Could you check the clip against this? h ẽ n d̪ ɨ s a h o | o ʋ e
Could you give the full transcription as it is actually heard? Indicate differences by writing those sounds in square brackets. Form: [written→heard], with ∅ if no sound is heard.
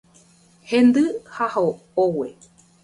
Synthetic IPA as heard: h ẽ n d̪ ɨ [s→h] a h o | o [ʋ→w] e